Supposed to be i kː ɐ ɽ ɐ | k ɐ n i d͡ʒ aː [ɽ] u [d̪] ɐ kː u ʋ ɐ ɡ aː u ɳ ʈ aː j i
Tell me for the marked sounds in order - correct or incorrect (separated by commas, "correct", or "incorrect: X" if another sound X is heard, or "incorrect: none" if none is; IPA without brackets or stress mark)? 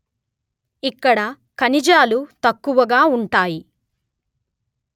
incorrect: l, incorrect: t̪